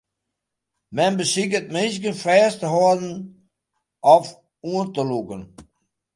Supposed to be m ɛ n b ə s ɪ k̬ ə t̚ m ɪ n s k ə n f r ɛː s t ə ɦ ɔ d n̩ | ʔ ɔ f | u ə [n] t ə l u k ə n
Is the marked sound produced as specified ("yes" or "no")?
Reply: yes